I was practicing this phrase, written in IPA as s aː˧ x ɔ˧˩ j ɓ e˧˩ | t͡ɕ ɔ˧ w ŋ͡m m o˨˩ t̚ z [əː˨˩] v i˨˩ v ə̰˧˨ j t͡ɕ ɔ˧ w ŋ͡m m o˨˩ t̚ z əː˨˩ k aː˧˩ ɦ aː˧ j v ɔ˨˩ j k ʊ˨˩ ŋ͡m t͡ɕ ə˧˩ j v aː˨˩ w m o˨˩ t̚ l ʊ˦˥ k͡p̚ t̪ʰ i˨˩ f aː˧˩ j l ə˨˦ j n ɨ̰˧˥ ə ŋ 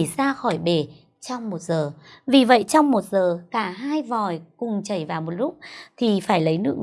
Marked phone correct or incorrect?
correct